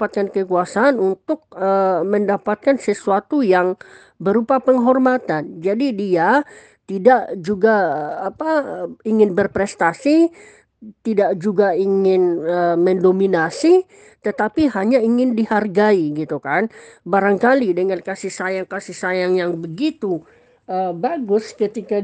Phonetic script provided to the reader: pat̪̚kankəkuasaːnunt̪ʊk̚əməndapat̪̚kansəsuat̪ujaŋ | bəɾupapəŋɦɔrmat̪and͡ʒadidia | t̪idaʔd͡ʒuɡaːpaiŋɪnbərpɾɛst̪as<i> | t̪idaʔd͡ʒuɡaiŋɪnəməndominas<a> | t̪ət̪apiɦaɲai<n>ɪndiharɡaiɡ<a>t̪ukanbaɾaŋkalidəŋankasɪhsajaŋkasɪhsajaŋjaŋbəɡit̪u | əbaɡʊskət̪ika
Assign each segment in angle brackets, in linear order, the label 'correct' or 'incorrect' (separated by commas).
correct, incorrect, incorrect, incorrect